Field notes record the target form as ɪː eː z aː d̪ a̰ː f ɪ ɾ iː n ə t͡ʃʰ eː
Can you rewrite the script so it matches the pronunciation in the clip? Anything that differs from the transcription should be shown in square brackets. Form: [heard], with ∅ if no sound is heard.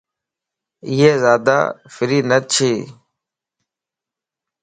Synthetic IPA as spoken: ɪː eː z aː d̪ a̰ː f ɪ ɾ iː n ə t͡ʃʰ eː